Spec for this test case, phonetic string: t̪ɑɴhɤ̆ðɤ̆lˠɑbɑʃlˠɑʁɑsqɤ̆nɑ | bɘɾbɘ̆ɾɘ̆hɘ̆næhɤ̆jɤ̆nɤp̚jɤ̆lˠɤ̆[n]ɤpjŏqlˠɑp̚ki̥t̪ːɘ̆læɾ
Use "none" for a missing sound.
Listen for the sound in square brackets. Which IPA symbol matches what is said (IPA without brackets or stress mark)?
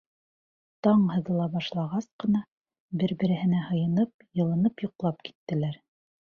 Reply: n